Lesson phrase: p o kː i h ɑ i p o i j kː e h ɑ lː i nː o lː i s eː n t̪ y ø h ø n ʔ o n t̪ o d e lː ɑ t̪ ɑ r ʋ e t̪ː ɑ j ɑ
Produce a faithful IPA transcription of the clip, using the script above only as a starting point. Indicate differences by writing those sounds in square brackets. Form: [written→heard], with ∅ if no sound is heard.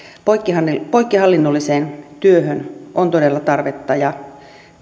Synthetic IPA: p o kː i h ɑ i p o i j kː [e→i] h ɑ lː i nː o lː i s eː n t̪ y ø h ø n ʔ o n t̪ o d e lː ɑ t̪ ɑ r ʋ e t̪ː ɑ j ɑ